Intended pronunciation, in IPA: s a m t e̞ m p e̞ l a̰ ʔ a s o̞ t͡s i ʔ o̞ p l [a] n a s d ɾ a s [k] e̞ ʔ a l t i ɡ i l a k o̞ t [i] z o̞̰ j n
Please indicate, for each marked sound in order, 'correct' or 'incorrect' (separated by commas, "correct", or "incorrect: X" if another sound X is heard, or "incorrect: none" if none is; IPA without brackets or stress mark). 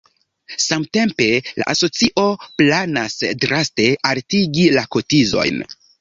correct, incorrect: t, correct